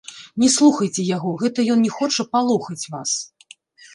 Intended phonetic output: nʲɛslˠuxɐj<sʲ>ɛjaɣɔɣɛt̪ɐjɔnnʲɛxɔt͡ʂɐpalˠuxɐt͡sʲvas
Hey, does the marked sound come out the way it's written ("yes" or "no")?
no